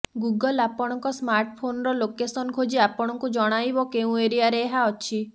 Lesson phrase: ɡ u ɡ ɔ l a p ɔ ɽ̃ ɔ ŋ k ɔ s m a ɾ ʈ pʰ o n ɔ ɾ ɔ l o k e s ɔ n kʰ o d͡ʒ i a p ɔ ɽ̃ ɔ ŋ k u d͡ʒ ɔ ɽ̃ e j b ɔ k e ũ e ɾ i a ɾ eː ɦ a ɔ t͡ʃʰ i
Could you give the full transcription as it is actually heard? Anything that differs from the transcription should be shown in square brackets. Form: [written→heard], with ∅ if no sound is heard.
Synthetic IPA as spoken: ɡ u ɡ ɔ l a p ɔ ɽ̃ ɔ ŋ k ɔ s m a ɾ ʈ pʰ o n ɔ ɾ ɔ l o k e s ɔ n kʰ o d͡ʒ i a p ɔ ɽ̃ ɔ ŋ k u d͡ʒ ɔ ɽ̃ [e→a] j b ɔ k e ũ e ɾ i a ɾ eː ɦ a ɔ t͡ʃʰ i